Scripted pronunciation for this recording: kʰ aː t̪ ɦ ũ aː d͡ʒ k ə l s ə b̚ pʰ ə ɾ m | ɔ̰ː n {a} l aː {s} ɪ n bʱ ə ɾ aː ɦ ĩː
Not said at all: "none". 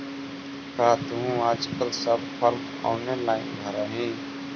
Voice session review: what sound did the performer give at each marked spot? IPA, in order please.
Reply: e, none

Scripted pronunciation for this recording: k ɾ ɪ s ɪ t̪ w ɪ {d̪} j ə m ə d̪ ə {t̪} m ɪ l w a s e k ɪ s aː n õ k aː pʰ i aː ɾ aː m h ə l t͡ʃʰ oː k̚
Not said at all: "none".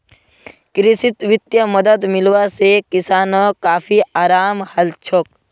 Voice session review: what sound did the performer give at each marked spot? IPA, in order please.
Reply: t̪, d̪

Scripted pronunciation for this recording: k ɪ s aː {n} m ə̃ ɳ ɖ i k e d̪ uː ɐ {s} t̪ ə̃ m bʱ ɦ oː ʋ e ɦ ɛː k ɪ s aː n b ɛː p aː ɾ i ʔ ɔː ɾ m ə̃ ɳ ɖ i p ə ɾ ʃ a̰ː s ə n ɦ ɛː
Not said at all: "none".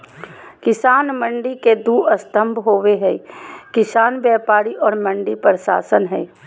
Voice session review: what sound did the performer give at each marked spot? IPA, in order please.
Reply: n, s

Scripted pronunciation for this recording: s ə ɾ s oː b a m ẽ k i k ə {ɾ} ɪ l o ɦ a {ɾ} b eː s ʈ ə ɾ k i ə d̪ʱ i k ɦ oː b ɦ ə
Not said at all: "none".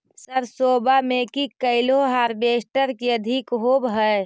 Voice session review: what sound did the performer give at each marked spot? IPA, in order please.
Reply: none, ɾ

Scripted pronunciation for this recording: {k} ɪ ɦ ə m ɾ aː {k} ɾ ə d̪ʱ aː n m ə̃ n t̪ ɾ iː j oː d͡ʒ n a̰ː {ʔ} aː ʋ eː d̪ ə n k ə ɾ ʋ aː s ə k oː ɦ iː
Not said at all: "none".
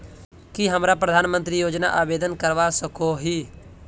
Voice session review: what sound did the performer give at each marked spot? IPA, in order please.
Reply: k, p, ʔ

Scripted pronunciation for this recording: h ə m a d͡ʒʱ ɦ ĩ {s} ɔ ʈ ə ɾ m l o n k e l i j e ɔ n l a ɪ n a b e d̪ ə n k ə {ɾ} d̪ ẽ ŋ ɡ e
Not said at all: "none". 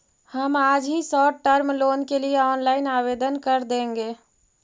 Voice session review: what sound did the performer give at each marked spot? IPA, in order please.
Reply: s, ɾ

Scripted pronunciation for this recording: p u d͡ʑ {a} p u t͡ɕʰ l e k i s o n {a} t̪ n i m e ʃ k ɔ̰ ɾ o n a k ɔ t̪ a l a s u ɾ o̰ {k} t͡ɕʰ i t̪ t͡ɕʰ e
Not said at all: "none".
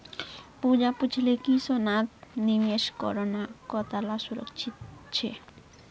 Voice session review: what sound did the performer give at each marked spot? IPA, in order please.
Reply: a, a, k

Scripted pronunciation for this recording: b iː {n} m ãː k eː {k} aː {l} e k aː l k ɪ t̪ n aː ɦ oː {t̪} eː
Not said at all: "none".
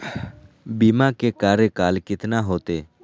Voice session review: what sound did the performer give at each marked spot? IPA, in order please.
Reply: none, k, ɾ, t̪

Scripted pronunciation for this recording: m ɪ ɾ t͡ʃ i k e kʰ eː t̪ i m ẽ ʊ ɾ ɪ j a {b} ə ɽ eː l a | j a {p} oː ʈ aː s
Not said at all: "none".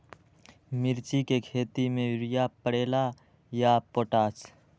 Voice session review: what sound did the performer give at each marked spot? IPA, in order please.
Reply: p, p

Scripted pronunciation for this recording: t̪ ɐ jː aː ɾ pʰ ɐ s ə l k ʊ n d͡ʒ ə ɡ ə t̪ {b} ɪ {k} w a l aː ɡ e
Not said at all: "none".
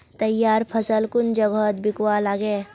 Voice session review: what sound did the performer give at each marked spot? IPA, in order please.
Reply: b, k

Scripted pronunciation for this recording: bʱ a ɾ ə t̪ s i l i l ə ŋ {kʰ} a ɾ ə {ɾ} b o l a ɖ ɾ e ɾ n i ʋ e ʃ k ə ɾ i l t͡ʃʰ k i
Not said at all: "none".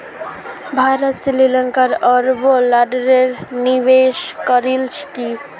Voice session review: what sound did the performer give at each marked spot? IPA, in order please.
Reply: k, ɾ

